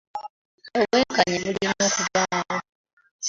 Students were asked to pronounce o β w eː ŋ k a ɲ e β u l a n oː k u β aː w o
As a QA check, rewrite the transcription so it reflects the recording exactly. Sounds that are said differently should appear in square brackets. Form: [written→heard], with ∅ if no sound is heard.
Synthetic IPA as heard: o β w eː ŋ k a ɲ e β u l [a→i] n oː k u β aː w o